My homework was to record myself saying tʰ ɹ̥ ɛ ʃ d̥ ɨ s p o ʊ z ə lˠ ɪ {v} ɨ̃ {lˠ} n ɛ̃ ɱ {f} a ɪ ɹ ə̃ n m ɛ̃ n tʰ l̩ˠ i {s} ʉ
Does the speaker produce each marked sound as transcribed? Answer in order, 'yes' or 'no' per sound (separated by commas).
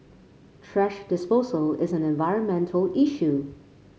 no, no, no, no